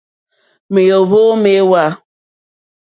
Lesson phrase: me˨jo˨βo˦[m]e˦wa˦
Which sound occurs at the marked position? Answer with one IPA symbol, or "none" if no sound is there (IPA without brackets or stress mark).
m